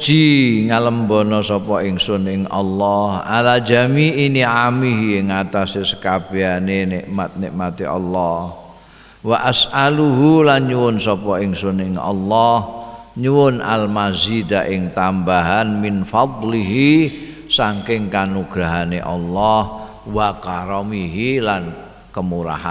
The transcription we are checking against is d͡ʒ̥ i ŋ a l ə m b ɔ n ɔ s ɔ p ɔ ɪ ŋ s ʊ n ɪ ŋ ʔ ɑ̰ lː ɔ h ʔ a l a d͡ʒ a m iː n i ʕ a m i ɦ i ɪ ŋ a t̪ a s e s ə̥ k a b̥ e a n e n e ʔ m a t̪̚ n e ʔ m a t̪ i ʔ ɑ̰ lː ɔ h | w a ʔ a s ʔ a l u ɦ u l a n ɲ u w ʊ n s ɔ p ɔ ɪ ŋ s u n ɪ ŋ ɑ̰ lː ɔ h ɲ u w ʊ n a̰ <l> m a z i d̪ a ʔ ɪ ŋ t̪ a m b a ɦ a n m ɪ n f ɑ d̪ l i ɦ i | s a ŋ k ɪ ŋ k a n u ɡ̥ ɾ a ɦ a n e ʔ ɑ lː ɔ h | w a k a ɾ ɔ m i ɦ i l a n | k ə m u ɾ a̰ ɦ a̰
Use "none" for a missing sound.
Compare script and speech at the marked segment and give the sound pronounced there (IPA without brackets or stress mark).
l